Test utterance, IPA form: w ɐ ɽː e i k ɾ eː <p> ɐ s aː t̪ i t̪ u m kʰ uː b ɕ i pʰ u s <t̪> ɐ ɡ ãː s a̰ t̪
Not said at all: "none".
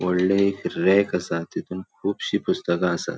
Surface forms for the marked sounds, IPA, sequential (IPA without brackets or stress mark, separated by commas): k, t̪